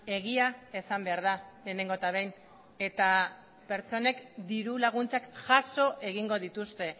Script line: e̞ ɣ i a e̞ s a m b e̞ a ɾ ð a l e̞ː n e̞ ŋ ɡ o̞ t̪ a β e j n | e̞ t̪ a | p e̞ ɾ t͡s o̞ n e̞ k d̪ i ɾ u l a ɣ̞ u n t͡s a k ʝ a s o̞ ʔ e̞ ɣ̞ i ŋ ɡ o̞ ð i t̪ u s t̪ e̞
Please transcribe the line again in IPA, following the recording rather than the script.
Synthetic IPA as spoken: e̞ ɣ i a e̞ s a m b e̞ a ɾ ð a l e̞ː n e̞ ŋ ɡ o̞ t̪ a β e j n | e̞ t̪ a | p e̞ ɾ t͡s o̞ n e̞ k d̪ i ɾ u l a ɣ̞ u n t͡s a k ʝ a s o̞ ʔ e̞ ɣ̞ i ŋ ɡ o̞ ð i t̪ u s t̪ e̞